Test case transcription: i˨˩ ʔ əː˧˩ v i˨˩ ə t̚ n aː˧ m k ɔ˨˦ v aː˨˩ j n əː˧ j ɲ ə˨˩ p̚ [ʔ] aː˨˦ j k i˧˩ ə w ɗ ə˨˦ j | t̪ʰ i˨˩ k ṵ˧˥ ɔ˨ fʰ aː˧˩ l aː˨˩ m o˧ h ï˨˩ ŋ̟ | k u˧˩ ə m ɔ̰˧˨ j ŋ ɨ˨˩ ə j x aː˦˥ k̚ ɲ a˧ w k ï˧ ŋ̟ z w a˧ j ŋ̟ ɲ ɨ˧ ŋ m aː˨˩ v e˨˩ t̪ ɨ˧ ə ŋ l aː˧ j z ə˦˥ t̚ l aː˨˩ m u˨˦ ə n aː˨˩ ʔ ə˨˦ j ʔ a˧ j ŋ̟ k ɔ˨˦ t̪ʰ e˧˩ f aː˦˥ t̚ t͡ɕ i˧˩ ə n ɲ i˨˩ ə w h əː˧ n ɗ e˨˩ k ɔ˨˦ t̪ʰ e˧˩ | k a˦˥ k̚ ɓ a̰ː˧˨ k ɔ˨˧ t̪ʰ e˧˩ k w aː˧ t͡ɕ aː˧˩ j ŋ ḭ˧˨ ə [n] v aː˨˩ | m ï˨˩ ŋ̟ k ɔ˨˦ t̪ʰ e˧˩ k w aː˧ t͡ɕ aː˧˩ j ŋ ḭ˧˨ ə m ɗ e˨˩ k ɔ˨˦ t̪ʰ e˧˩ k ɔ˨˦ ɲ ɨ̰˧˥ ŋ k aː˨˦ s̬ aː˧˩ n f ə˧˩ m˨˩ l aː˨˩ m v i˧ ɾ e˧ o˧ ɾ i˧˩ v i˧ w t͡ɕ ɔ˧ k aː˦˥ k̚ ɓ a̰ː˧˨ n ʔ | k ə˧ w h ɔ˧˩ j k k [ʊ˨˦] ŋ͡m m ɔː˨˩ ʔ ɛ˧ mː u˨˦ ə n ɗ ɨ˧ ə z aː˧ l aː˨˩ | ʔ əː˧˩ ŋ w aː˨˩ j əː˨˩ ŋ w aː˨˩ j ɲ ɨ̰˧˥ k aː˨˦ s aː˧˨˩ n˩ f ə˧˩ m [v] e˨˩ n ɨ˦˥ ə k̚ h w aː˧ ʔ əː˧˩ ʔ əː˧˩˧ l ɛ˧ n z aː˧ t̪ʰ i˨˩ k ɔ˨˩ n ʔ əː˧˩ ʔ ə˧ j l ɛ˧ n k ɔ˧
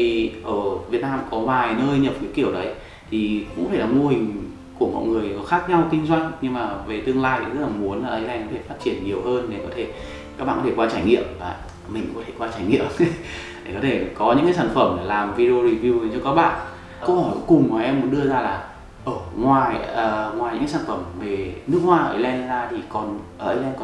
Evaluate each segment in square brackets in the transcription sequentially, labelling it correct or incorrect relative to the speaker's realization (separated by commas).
incorrect, incorrect, incorrect, correct